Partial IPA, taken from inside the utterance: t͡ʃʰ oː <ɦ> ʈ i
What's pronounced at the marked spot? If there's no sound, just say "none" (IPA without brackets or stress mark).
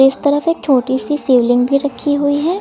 none